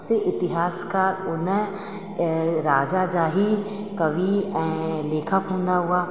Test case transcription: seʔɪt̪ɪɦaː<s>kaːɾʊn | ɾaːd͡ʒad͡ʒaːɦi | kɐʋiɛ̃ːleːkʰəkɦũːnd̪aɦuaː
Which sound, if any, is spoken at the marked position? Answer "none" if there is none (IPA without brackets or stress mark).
s